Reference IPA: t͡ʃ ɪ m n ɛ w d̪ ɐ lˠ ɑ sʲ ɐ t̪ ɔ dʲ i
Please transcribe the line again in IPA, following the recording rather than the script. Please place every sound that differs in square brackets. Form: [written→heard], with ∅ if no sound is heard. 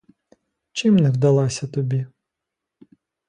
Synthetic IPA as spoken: t͡ʃ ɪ m n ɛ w d̪ ɐ lˠ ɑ sʲ ɐ t̪ ɔ [dʲ→bʲ] i